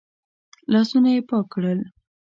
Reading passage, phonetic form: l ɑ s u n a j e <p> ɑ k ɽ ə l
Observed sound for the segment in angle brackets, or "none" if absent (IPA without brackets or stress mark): p